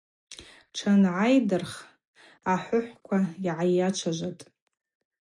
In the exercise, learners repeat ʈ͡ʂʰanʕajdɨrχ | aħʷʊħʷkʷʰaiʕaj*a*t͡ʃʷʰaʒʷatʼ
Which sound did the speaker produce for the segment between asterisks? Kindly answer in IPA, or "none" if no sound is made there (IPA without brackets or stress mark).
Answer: a